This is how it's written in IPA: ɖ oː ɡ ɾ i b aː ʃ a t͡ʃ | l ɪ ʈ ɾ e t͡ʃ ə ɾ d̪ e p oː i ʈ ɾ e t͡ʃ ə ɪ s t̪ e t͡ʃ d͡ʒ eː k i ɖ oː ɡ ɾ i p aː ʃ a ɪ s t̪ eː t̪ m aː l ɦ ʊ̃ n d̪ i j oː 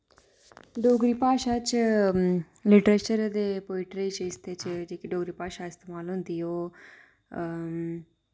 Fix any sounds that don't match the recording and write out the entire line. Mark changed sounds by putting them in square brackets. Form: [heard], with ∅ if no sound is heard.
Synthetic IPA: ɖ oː ɡ ɾ i [p] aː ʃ a t͡ʃ | l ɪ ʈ ɾ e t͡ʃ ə ɾ d̪ e p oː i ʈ ɾ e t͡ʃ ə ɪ s t̪ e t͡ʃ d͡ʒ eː k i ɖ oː ɡ ɾ i p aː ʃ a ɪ s t̪ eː [∅] m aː l ɦ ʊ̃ n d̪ i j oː